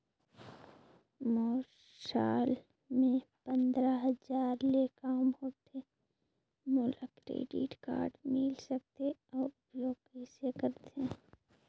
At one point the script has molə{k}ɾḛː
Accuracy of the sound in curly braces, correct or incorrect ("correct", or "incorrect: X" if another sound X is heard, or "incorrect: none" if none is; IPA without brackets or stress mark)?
correct